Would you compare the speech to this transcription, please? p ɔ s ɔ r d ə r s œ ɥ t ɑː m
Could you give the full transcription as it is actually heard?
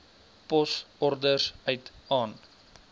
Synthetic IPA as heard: p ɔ s ɔ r d ə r s œ ɥ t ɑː n